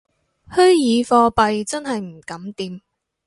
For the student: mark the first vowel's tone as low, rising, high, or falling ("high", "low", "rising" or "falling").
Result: high